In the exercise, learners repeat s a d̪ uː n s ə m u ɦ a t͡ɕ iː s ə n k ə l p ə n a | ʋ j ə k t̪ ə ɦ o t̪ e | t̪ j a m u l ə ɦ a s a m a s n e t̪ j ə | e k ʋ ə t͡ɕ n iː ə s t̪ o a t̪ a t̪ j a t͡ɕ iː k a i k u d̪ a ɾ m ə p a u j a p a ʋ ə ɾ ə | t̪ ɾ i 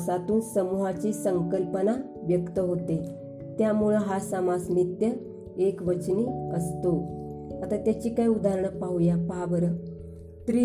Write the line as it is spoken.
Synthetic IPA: s a t̪ uː n s ə m u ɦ a t͡ɕ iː s ə ŋ k ə l p ə n a | ʋ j ə k t̪ ə ɦ o t̪ e | t̪ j a m u ɭ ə ɦ a s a m a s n i t̪ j ə | e k ʋ ə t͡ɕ n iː ə s t̪ o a t̪ a t̪ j a t͡ɕ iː k a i u d̪ a ɾ ɳ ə p a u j a p a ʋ ə ɾ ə | t̪ ɾ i